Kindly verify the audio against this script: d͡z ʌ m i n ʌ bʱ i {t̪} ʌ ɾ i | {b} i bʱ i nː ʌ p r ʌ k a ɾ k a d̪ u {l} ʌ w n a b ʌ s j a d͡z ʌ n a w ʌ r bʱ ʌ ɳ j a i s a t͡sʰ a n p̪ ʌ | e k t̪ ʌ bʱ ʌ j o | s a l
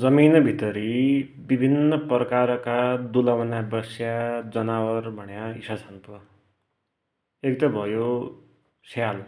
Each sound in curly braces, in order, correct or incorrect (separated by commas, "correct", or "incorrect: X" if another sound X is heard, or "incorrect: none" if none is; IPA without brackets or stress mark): correct, correct, correct